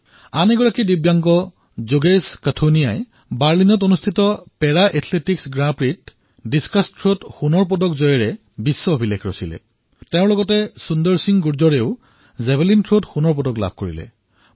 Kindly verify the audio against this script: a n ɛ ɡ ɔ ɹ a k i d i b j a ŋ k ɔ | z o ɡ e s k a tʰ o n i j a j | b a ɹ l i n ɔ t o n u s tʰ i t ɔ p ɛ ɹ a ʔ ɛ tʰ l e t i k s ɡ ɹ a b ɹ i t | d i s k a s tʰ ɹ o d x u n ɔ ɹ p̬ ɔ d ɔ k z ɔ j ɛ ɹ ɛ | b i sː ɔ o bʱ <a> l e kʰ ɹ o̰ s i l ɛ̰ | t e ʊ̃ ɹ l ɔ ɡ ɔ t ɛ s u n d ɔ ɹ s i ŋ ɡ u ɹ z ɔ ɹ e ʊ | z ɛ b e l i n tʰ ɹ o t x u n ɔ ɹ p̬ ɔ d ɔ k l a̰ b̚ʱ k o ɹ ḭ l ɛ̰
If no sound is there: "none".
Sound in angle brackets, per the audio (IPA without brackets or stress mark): i